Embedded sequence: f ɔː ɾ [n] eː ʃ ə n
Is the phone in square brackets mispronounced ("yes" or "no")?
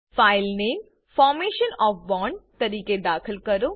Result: yes